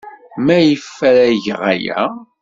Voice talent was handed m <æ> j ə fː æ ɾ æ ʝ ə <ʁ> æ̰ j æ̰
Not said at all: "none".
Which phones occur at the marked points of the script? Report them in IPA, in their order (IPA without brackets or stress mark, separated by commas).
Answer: æ, ʁ